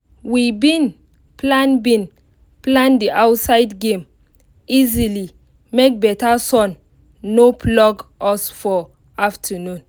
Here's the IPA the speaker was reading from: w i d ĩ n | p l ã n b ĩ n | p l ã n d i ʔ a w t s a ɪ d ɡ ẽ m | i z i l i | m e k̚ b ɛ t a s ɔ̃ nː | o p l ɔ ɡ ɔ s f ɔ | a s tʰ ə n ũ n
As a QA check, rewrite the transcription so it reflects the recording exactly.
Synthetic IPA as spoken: w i b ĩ n | p l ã n b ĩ n | p l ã n d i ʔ a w t s a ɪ d ɡ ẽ m | i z i l i | m e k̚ b ɛ t a s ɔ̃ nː | o p l ɔ ɡ ɔ s f ɔ | a f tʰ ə n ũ n